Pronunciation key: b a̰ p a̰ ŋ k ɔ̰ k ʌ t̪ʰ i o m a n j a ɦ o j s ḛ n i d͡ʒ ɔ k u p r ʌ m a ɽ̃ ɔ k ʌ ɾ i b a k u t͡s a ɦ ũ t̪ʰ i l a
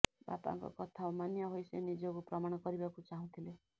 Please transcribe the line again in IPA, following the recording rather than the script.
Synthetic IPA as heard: b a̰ p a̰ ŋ k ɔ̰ k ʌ t̪ʰ a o m a n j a ɦ o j s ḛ n i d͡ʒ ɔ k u p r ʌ m a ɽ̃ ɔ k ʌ ɾ i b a k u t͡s a ɦ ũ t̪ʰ i l e